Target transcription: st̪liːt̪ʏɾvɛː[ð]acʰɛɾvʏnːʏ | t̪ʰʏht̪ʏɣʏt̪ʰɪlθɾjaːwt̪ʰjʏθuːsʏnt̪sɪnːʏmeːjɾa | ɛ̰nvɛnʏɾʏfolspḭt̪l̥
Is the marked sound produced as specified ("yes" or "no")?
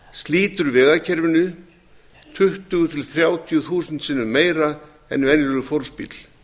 no